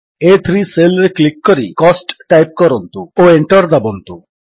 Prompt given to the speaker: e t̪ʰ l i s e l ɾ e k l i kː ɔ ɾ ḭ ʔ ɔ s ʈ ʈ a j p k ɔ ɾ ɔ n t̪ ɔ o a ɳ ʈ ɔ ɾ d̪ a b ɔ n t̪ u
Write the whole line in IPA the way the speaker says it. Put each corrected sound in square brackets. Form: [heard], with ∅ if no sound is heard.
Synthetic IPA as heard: e t̪ʰ [ɾ] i s e l ɾ e k l i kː ɔ ɾ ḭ [k] ɔ s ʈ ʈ a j p k ɔ ɾ ɔ n t̪ [u] o [e] ɳ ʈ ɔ ɾ d̪ a b ɔ n t̪ u

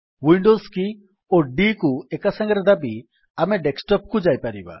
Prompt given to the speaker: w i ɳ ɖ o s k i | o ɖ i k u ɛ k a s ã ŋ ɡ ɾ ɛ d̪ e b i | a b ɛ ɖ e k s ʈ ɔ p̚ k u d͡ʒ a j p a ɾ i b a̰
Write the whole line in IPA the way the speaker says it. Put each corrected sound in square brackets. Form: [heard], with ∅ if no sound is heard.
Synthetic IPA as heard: w i ɳ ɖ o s k i | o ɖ i k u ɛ k a s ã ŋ ɡ ɾ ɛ d̪ [a] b i | a [m] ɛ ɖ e k s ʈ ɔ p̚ k u d͡ʒ a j p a ɾ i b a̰

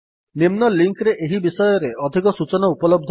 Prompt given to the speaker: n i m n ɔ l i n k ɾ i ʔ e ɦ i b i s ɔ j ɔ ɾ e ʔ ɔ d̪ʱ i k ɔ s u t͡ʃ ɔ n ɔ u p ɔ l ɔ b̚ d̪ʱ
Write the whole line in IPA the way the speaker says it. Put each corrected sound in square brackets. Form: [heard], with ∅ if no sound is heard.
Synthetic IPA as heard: n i m n ɔ l i [ŋ] k ɾ [e] ʔ e ɦ i b i s ɔ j ɔ ɾ e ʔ ɔ d̪ʱ i k ɔ s u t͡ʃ ɔ n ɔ u p ɔ l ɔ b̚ d̪ʱ

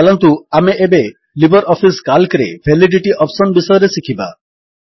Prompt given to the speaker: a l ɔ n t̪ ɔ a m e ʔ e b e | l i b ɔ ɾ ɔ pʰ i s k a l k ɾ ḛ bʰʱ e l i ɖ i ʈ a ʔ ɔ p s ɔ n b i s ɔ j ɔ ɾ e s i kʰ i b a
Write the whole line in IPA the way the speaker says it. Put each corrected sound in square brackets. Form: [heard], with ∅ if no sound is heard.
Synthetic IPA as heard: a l ɔ n t̪ [u] a m e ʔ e b e | l i b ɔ ɾ ɔ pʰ i s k a l k ɾ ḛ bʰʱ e l i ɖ i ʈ [i] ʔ ɔ p s ɔ n b i s ɔ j ɔ ɾ e s i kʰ i b a

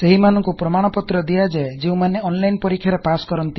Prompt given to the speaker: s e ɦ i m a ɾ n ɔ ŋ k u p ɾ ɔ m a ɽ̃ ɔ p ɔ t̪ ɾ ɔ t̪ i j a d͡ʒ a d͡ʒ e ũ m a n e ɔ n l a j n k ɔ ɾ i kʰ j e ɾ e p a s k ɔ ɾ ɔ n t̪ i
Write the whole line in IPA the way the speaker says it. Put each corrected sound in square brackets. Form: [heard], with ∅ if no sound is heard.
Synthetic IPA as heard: s e ɦ i m a [∅] n ɔ ŋ k u p ɾ ɔ m a ɽ̃ ɔ p ɔ t̪ ɾ ɔ [d̪] i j a d͡ʒ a d͡ʒ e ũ m a n e ɔ n l a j n [p] ɔ ɾ i kʰ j [a] ɾ e p a s k ɔ ɾ ɔ n t̪ i

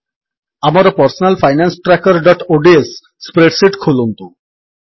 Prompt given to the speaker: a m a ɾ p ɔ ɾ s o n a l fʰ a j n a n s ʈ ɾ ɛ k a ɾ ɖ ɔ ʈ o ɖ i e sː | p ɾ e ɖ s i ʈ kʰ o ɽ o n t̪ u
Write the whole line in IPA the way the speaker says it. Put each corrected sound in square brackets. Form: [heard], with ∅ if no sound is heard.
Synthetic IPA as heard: a m a ɾ p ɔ ɾ s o n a l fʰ a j n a n s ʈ ɾ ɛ k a ɾ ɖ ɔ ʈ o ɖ i e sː | p ɾ e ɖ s i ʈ kʰ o [l] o n t̪ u

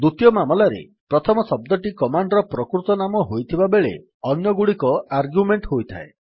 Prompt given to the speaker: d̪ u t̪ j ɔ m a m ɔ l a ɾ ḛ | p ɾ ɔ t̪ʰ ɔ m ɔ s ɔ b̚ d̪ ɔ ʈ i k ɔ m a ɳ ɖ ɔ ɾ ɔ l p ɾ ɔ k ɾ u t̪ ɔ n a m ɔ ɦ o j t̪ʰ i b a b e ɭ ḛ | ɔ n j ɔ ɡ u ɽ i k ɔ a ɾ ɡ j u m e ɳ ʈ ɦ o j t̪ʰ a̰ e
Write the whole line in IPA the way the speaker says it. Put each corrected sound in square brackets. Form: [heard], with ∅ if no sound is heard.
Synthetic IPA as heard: d̪ u t̪ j ɔ m a m ɔ l a ɾ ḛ | p ɾ ɔ t̪ʰ ɔ m ɔ s ɔ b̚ d̪ ɔ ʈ i k ɔ m a ɳ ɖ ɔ ɾ ɔ [∅] p ɾ ɔ k ɾ u t̪ ɔ n a m ɔ ɦ o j t̪ʰ i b a b e ɭ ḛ | ɔ n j ɔ ɡ u ɽ i k ɔ a ɾ ɡ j u m e ɳ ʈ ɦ o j t̪ʰ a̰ e

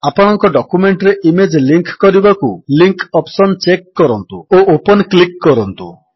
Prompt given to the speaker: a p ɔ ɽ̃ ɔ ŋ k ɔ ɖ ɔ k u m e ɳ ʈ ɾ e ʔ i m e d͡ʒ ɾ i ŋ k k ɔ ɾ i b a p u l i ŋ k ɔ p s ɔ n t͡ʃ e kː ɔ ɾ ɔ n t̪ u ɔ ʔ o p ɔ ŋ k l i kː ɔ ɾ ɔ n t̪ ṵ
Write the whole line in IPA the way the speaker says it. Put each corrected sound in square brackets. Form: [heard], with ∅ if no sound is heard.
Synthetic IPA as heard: a p ɔ ɽ̃ ɔ ŋ k ɔ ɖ ɔ k u m e ɳ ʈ ɾ e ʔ i m e d͡ʒ [l] i ŋ k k ɔ ɾ i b a [k] u l i ŋ k ɔ p s ɔ n t͡ʃ e kː ɔ ɾ ɔ n t̪ u [o] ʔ o p ɔ [n] k l i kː ɔ ɾ ɔ n t̪ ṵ

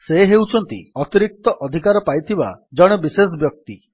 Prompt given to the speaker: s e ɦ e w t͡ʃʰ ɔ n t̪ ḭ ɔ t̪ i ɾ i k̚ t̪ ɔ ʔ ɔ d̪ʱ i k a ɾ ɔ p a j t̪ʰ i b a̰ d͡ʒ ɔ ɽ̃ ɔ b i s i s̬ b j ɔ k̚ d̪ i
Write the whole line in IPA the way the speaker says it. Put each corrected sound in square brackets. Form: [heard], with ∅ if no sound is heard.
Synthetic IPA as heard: s e ɦ e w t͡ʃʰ ɔ n t̪ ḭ ɔ t̪ i ɾ i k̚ t̪ ɔ ʔ ɔ d̪ʱ i k a ɾ ɔ p a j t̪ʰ i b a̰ d͡ʒ ɔ ɽ̃ ɔ b i s [e] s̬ b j ɔ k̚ [t̪] i

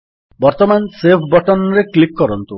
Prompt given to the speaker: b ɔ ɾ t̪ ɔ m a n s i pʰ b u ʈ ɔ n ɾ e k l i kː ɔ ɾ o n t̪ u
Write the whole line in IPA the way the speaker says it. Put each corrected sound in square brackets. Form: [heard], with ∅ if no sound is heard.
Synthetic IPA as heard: b ɔ ɾ t̪ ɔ m a n s [e] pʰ b [ɔ] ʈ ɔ n ɾ e k l i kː ɔ ɾ [ɔ] n t̪ u

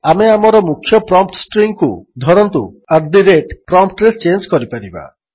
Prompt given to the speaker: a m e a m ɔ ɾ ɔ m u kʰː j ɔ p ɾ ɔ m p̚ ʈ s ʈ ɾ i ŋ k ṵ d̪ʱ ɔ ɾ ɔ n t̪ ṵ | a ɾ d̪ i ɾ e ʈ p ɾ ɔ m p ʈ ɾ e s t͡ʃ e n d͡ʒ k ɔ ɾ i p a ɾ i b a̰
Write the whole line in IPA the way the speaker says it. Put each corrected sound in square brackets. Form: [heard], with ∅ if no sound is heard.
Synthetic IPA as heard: a m e a m ɔ ɾ ɔ m u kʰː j ɔ p ɾ ɔ m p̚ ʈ s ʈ ɾ i ŋ k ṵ d̪ʱ ɔ ɾ ɔ n t̪ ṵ | a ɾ d̪ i ɾ e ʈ p ɾ ɔ m p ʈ ɾ e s t͡ʃ e n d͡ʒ k ɔ ɾ i p a ɾ i b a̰

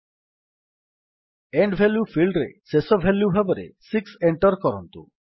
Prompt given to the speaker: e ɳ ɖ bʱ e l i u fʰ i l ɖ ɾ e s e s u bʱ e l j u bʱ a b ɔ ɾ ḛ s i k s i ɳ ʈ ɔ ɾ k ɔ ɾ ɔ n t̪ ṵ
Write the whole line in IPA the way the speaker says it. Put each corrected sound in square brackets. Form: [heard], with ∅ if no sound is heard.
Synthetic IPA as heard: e ɳ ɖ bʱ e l [j] u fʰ i l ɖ ɾ e s e s [ɔ] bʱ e l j u bʱ a b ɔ ɾ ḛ s i k s [e] ɳ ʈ ɔ ɾ k ɔ ɾ ɔ n t̪ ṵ

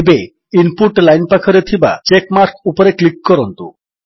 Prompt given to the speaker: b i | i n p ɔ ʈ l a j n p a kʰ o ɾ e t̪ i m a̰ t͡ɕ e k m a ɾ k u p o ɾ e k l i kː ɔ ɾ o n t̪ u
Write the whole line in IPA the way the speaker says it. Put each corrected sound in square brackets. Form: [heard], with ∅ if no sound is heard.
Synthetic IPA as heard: b [e] | i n p [u] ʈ l a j n p a kʰ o ɾ e [t̪ʰ] i [b] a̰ t͡ɕ e k m a ɾ k u p o ɾ e k l i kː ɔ ɾ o n t̪ u

